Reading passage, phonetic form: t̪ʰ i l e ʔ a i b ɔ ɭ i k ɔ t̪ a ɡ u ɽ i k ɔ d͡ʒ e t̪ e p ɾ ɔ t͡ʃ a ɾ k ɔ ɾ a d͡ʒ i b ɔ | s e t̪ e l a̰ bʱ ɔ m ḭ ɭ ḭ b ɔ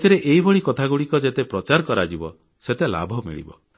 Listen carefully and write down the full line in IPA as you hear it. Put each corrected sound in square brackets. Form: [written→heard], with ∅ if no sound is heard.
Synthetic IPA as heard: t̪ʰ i [l→ɾ] e ʔ [a→e] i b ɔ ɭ i k ɔ [t̪→t̪ʰ] a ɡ u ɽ i k ɔ d͡ʒ e t̪ e p ɾ ɔ t͡ʃ a ɾ k ɔ ɾ a d͡ʒ i b ɔ | s e t̪ e l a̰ bʱ ɔ m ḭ ɭ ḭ b ɔ

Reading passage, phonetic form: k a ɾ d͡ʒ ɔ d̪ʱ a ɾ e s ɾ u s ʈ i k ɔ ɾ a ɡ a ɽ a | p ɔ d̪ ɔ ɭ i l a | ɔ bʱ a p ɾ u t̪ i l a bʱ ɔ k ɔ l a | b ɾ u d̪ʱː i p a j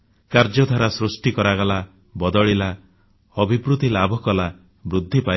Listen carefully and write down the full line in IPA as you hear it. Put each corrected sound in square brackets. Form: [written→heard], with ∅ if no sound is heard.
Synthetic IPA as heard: k a ɾ d͡ʒ ɔ d̪ʱ a ɾ [e→a] s ɾ u s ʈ i k ɔ ɾ a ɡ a [ɽ→l] a | [p→b] ɔ d̪ ɔ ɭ i l a | ɔ bʱ [a→i] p ɾ u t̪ i l a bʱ ɔ k ɔ l a | b ɾ u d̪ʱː i p a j

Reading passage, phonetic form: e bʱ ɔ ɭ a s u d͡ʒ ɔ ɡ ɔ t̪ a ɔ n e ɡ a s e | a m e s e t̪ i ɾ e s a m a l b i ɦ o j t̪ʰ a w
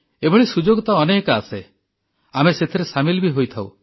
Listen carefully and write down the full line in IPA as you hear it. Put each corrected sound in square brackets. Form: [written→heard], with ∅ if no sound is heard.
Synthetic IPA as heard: e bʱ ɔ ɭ [a→i] s u d͡ʒ [ɔ→o] ɡ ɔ t̪ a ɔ n e [ɡ→k] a s e | a m e s e [t̪→t̪ʰ] i ɾ e s a m [a→i] l b i ɦ o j t̪ʰ a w

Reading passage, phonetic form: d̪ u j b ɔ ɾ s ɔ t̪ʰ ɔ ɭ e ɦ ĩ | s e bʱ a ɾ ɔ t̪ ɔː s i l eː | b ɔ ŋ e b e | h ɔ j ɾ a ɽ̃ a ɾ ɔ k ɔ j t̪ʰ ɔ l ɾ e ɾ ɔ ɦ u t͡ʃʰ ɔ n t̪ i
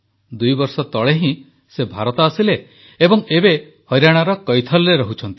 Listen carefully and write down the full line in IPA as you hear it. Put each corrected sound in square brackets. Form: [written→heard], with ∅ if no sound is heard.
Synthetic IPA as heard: d̪ u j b ɔ ɾ s ɔ [t̪ʰ→t̪] ɔ ɭ e ɦ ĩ | s e bʱ a ɾ ɔ t̪ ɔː s i l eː | b ɔ ŋ e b e | h ɔ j ɾ a ɽ̃ a ɾ ɔ k ɔ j t̪ʰ ɔ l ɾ e ɾ ɔ ɦ u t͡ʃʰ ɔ n t̪ i

